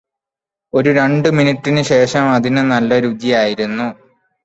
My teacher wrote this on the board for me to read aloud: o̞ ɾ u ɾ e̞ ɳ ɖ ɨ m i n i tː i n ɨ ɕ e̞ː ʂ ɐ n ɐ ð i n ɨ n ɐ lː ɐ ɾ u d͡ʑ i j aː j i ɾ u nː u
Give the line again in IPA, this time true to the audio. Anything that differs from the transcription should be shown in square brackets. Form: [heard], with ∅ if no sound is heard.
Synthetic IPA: o̞ ɾ u ɾ e̞ ɳ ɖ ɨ m i n i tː i n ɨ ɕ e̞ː ʂ ɐ [m] ɐ ð i n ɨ n ɐ lː ɐ ɾ u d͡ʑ i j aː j i ɾ u nː u